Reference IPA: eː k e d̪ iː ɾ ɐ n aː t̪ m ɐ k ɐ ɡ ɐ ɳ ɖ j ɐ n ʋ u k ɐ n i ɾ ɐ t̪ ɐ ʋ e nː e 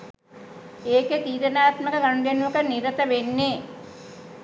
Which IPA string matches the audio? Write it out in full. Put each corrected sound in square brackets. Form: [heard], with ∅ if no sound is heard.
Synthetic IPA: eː k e [t̪] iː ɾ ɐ n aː t̪ m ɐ k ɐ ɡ ɐ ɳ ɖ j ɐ n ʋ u k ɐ n i ɾ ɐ t̪ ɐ ʋ e nː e